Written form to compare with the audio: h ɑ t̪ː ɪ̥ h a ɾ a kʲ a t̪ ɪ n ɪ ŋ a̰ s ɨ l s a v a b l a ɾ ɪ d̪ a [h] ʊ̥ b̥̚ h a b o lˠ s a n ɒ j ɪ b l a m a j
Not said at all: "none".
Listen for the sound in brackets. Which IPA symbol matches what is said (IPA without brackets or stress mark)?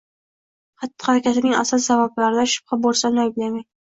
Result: ʃ